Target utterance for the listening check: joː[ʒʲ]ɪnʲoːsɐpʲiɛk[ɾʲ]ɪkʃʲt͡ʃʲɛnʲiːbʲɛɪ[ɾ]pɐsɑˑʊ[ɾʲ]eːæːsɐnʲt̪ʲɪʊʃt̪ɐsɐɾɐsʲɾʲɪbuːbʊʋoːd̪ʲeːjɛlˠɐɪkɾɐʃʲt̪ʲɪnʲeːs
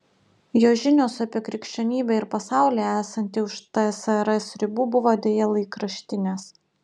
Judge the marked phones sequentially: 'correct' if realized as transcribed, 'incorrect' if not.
correct, correct, correct, incorrect: lʲ

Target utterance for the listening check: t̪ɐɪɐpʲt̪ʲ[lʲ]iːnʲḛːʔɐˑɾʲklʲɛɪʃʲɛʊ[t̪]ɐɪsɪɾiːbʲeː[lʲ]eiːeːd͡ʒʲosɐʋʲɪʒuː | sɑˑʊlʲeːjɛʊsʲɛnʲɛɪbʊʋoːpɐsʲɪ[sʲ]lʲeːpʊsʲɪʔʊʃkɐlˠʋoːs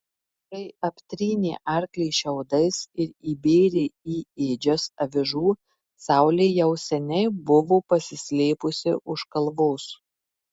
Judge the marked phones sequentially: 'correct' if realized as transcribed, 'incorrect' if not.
incorrect: ɾʲ, incorrect: d̪, incorrect: ɾʲ, correct

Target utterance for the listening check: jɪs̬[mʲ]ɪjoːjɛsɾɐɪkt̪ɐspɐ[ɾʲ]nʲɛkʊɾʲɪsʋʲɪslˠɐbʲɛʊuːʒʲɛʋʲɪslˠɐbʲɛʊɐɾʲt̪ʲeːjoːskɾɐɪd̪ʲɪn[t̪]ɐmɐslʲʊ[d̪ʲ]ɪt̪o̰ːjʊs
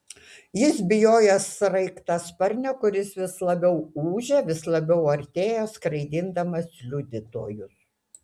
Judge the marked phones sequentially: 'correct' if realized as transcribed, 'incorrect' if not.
incorrect: bʲ, correct, incorrect: d̪, correct

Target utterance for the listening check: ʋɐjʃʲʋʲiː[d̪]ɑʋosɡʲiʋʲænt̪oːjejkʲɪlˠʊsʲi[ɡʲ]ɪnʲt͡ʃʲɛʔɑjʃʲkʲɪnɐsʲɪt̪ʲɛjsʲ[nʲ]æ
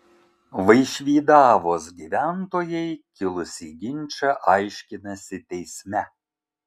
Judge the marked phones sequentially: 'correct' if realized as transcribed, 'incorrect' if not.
correct, correct, incorrect: mʲ

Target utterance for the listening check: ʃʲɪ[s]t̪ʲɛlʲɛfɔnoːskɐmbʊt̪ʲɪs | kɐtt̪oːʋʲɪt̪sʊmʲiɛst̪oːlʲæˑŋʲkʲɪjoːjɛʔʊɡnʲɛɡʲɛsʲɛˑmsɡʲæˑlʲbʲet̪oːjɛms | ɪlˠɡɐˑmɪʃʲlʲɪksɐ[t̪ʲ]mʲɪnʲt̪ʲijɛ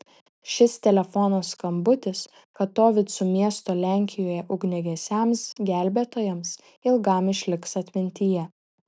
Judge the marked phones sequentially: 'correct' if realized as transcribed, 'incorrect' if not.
correct, correct

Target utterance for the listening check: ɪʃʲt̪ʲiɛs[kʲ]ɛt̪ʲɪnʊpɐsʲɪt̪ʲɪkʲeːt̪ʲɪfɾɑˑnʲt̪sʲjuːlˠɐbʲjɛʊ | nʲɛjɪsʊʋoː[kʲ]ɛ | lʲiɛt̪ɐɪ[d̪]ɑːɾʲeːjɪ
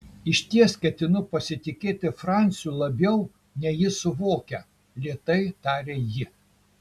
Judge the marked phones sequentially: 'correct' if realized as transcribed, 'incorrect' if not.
correct, correct, incorrect: t̪

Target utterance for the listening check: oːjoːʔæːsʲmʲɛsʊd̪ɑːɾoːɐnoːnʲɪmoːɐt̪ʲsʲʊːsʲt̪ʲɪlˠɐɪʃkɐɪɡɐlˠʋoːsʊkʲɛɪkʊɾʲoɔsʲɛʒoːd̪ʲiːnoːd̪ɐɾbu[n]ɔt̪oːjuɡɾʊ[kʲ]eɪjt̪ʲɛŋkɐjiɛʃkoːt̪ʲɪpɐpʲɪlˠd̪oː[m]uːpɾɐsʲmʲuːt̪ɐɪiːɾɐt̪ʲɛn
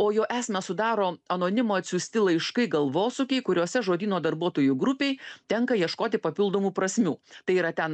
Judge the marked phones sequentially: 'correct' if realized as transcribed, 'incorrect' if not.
incorrect: none, incorrect: pʲ, correct

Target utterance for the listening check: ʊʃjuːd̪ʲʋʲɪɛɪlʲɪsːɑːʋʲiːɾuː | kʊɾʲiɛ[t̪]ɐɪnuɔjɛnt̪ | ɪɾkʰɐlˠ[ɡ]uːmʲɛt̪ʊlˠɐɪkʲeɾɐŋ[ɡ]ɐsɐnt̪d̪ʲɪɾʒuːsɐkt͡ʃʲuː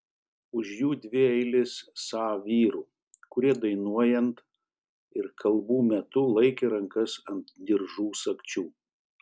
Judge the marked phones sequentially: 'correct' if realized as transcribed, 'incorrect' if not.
incorrect: d̪, incorrect: b, incorrect: k

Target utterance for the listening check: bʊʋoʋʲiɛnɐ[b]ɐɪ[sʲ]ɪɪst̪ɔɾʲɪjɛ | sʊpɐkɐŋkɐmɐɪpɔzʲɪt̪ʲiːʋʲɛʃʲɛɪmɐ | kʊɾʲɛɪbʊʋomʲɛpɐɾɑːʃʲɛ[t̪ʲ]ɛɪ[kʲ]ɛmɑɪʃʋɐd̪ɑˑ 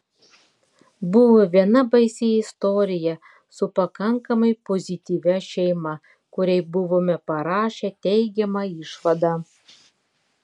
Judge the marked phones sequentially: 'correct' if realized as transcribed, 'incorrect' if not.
correct, correct, correct, incorrect: ɡʲ

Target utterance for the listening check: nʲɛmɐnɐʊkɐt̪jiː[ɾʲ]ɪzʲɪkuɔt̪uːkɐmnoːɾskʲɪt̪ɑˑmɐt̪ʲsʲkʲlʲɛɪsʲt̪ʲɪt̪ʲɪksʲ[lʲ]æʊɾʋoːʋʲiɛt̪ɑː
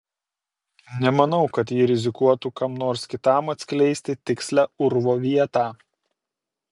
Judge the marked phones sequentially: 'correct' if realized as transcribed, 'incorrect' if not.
correct, correct

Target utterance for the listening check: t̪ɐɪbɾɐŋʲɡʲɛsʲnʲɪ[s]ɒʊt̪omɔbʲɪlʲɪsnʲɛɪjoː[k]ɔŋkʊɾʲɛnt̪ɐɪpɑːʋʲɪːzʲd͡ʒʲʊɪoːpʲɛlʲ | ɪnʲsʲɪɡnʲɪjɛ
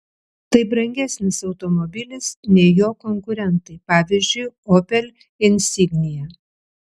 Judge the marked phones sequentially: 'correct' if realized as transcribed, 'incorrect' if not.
correct, correct

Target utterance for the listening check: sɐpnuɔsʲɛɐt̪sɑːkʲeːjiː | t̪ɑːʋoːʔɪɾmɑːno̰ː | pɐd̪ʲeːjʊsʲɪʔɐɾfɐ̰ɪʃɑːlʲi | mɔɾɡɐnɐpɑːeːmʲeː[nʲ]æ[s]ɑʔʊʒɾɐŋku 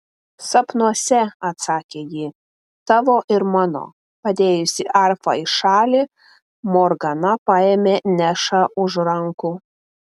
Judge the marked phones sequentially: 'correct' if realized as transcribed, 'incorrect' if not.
correct, incorrect: ʃ

